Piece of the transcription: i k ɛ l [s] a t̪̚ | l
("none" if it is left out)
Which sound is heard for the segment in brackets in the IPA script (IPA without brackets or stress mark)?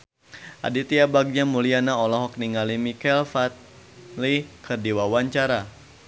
f